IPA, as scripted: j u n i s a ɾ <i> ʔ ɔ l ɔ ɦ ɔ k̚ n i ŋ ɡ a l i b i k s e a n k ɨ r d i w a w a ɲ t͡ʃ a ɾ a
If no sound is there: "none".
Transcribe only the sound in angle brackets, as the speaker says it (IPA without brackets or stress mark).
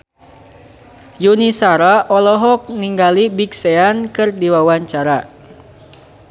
a